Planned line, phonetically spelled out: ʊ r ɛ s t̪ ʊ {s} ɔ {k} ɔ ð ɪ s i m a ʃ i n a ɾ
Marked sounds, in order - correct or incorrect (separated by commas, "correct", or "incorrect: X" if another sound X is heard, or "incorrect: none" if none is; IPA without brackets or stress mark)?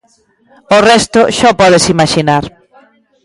incorrect: ʃ, incorrect: p